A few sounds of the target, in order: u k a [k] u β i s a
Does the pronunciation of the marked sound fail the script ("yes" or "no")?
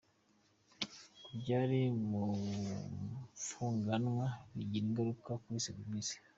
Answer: no